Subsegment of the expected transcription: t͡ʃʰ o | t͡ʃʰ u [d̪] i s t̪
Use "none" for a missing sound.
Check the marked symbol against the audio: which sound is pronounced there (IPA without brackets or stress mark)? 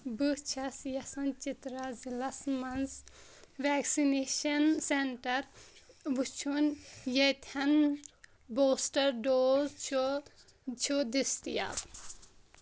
d̪